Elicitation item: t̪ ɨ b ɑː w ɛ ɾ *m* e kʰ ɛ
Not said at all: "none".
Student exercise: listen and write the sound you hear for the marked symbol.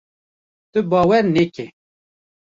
n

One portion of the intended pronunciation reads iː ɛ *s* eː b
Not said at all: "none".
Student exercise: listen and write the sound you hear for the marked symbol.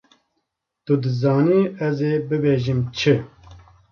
z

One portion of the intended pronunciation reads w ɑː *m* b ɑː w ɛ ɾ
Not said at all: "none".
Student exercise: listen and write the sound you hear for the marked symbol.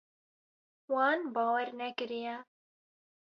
n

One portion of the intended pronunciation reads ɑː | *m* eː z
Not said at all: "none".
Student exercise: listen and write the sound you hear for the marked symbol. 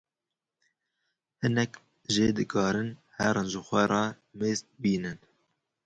m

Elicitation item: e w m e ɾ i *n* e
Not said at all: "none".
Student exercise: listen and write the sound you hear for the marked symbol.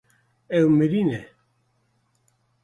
n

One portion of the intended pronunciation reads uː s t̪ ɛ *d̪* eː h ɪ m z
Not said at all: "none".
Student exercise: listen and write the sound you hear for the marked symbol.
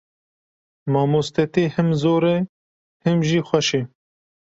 t̪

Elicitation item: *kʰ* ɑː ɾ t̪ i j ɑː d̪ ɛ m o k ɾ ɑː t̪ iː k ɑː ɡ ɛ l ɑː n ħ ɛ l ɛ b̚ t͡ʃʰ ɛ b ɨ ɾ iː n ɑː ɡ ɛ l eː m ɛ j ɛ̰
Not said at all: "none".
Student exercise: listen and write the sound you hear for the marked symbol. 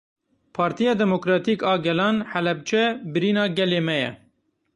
pʰ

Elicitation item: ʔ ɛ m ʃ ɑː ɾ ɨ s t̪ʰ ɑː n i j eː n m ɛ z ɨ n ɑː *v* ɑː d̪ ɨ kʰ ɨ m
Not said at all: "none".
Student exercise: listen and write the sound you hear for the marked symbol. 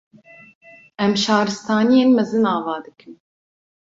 v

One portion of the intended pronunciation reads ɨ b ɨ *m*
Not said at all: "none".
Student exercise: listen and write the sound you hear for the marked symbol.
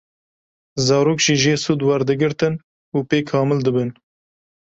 n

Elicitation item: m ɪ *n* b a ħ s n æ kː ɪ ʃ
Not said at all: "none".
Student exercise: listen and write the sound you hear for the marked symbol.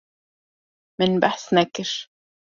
n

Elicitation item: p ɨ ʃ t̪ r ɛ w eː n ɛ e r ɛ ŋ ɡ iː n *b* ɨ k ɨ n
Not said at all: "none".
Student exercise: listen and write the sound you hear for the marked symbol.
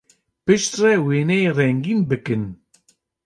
b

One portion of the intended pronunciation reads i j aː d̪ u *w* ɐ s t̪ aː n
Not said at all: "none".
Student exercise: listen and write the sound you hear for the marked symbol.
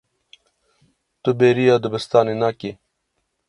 b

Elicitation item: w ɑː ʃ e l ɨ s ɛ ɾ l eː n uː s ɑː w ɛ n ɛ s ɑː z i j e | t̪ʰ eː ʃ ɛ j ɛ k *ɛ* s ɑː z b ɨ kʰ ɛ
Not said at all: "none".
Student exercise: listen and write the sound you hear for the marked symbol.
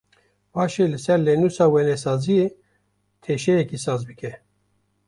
i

